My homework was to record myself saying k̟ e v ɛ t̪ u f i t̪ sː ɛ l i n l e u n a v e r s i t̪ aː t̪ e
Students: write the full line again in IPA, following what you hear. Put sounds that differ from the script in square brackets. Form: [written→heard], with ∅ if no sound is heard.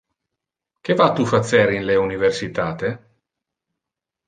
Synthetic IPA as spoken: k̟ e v [ɛ→a] t̪ u f [i→a] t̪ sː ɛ [l→ɾ] i n l e u n [a→i] v e r s i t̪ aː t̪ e